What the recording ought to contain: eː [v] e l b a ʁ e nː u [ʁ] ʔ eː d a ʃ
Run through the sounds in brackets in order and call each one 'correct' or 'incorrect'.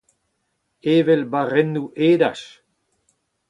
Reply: correct, incorrect: none

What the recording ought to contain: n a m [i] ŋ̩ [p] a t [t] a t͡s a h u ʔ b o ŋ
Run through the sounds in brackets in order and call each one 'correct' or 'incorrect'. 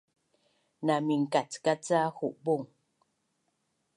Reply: correct, incorrect: k, incorrect: k

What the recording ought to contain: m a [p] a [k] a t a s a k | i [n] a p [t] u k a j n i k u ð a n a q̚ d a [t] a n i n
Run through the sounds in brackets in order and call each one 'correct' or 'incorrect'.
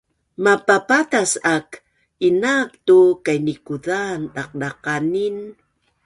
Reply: correct, incorrect: p, correct, correct, incorrect: q

